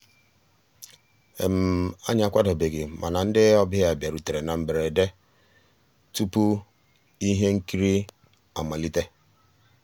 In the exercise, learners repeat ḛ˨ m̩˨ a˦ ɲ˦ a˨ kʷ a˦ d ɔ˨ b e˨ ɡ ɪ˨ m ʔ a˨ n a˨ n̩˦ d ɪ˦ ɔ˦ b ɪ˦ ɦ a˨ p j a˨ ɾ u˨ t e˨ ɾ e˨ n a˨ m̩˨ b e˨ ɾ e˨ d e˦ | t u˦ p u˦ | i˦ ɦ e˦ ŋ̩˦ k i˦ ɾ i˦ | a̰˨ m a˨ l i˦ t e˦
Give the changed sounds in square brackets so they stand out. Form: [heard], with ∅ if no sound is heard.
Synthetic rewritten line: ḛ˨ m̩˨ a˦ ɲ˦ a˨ kʷ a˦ d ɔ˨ b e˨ ɡ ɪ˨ m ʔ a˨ n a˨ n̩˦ d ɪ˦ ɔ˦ b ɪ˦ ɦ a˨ [b] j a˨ ɾ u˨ t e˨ ɾ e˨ n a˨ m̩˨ b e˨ ɾ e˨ d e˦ | t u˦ p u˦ | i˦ ɦ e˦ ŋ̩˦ k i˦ ɾ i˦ | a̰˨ m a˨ l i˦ t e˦

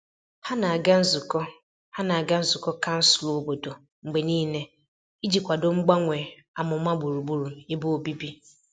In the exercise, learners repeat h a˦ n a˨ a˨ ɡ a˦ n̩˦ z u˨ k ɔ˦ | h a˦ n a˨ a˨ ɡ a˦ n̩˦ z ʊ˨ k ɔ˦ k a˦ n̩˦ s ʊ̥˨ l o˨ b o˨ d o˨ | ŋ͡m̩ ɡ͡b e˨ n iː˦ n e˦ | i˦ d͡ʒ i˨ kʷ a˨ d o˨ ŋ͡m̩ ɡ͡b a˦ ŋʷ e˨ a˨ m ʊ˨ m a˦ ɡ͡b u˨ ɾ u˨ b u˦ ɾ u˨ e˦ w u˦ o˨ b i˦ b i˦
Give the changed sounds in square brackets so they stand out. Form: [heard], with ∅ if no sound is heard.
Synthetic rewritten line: h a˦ n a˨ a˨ ɡ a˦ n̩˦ z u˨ k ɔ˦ | h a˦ n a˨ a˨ ɡ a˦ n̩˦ z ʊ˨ k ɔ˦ k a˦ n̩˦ s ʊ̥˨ l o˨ b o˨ d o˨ | ŋ͡m̩ ɡ͡b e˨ n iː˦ n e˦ | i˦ d͡ʒ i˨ kʷ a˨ d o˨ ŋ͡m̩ ɡ͡b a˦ ŋʷ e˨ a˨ m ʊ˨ m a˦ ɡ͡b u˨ ɾ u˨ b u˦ ɾ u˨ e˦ [b] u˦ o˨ b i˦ b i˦

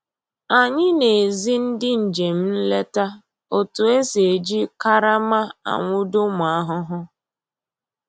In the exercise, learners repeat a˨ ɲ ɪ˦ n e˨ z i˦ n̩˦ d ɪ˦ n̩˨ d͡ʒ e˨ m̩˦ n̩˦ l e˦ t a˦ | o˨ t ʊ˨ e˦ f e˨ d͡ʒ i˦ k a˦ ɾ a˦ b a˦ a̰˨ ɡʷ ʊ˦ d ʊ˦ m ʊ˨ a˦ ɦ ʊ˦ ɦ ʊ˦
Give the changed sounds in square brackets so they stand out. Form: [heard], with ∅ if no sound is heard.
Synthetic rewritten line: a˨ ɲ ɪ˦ n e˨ z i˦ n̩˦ d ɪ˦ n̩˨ d͡ʒ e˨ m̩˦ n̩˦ l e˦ t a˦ | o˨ t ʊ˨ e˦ [s] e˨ d͡ʒ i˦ k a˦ ɾ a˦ [m] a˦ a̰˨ [ŋʷ] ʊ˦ d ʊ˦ m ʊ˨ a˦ ɦ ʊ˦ ɦ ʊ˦

